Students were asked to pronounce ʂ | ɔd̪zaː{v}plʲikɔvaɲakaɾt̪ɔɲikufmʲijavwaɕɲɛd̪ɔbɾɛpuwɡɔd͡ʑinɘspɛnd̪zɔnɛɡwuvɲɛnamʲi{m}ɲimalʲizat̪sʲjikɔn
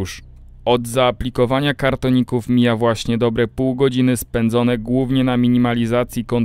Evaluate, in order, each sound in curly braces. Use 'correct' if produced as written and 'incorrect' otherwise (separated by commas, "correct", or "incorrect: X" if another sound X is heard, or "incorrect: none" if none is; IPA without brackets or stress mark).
incorrect: none, incorrect: none